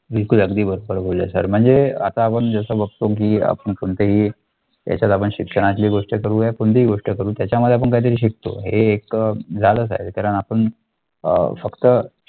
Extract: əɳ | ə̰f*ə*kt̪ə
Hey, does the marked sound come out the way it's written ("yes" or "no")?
yes